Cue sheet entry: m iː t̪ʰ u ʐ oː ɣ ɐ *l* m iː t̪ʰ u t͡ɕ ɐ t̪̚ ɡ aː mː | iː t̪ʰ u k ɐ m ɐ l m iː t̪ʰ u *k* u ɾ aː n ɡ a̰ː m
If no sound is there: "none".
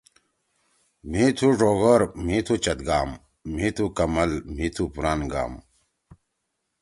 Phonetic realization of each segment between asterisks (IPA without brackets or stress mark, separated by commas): ɾ, p